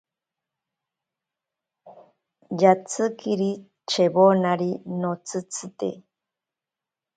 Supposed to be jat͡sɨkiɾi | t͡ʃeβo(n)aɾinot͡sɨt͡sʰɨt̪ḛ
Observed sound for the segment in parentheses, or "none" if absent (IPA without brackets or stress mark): n